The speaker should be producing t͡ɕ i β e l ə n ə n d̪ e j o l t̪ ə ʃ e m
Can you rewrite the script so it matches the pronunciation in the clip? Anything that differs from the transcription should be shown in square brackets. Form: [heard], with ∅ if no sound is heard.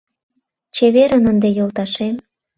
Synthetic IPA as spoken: t͡ɕ [e] β e [ɾ] ə n ə n d̪ e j o l t̪ [ɑ] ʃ e m

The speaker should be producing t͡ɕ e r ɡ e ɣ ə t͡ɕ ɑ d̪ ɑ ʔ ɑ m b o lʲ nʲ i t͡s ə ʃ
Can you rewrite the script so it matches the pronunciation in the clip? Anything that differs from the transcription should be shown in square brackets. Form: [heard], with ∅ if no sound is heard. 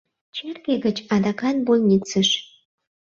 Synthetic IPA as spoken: t͡ɕ e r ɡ e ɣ ə t͡ɕ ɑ d̪ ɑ [k] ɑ [n] b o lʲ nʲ i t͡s ə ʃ

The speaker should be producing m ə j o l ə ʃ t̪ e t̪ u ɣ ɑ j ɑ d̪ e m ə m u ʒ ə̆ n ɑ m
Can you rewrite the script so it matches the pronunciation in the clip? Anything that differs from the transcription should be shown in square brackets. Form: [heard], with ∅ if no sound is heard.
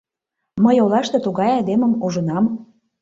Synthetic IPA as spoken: m ə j o l [ɑ] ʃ t̪ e t̪ u ɣ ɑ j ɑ d̪ e m ə m u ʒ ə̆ n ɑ m

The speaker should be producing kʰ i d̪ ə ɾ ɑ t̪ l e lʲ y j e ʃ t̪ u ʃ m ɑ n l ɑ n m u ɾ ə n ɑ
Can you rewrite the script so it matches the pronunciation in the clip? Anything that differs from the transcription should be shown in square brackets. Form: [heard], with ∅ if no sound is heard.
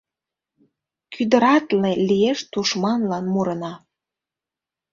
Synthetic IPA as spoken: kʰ [y] d̪ ə ɾ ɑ t̪ l e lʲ [i] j e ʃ t̪ u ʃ m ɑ n l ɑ n m u ɾ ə n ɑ

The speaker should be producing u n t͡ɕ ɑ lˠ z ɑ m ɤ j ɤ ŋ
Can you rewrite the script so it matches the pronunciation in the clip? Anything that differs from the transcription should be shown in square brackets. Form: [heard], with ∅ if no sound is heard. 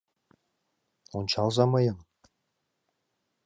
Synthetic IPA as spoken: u n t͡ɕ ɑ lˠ z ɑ m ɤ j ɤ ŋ

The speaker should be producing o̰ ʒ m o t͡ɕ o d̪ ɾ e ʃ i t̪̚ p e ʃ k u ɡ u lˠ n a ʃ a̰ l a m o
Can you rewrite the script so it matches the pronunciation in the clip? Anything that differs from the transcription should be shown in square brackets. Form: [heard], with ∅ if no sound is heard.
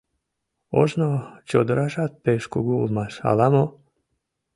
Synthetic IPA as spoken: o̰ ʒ [n] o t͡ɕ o d̪ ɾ [a] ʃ [a] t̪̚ p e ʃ k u ɡ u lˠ [m] a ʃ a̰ l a m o

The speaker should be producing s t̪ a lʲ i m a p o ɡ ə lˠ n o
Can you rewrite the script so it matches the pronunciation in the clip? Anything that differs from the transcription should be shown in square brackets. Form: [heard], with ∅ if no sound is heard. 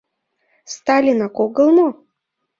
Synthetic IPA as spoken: s t̪ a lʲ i [n] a [k] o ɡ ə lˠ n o

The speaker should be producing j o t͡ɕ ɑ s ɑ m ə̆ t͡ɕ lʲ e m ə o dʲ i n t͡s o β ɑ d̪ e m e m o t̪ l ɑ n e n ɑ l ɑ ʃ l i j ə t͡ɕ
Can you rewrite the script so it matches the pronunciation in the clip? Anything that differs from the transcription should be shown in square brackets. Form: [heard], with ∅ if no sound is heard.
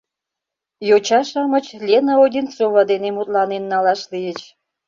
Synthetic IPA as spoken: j o t͡ɕ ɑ [ʃ] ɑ m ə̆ t͡ɕ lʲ e [n] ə o dʲ i n t͡s o β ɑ d̪ e [n] e m [u] t̪ l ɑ n e [nː] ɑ l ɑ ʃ l i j ə t͡ɕ

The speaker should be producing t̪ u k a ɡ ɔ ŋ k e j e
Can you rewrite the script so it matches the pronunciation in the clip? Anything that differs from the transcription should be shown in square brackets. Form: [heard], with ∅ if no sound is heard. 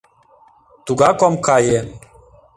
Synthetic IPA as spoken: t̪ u [ɡ] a [k] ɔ [m] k [a] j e

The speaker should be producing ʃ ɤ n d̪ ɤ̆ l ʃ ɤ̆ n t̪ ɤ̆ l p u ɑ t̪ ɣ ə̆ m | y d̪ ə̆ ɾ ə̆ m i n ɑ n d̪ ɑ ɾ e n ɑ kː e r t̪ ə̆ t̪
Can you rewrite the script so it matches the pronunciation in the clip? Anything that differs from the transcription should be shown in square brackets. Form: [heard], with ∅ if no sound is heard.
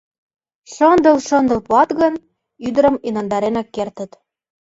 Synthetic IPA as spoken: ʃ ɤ n d̪ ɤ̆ l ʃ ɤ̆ n [d̪] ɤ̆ l p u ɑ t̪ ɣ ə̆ [n] | y d̪ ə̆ ɾ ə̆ m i n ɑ n d̪ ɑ ɾ e n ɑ kː e r t̪ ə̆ t̪

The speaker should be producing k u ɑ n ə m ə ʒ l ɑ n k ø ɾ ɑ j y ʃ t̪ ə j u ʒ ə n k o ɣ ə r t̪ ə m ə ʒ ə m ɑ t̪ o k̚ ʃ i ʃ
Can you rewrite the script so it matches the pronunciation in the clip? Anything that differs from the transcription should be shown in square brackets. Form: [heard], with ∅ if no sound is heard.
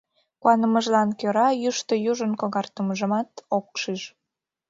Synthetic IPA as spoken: k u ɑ n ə m ə ʒ l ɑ n k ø ɾ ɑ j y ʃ t̪ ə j u ʒ ə n k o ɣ [ɑ] r t̪ ə m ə ʒ ə m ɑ t̪ o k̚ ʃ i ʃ

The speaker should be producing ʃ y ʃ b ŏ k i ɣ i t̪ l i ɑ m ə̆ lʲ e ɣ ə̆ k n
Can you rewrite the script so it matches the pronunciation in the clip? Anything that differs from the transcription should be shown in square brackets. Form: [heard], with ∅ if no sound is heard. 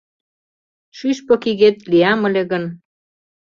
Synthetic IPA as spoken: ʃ y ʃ [p] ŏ k i ɣ [e] t̪ l i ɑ m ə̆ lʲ e ɣ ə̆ [∅] n

